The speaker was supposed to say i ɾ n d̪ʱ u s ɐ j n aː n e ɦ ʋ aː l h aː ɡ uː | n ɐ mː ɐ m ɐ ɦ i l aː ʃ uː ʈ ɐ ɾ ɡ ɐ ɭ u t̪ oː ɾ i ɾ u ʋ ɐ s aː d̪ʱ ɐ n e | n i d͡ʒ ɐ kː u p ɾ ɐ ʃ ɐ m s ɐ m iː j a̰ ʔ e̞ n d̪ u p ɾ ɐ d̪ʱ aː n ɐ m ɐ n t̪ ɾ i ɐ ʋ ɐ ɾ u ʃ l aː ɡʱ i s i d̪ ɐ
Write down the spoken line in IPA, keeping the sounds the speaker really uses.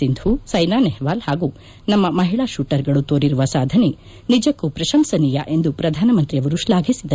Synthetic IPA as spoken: i n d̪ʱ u s ɐ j n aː n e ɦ ʋ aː l h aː ɡ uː | n ɐ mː ɐ m ɐ ɦ i ɭ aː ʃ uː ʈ ɐ ɾ ɡ ɐ ɭ u t̪ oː ɾ i ɾ u ʋ ɐ s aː d̪ʱ ɐ n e | n i d͡ʒ ɐ kː u p ɾ ɐ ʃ ɐ m s ɐ n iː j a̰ ʔ e̞ n d̪ u p ɾ ɐ d̪ʱ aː n ɐ m ɐ n t̪ ɾ i ɐ ʋ ɐ ɾ u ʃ l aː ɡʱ i s i d̪ ɐ